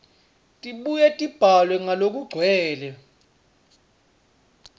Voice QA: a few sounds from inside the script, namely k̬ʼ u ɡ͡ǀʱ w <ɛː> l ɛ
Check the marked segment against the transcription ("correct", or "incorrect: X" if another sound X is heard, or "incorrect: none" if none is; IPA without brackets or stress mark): correct